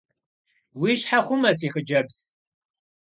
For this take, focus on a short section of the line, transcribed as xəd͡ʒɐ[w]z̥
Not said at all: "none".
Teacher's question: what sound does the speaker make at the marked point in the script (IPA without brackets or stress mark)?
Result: b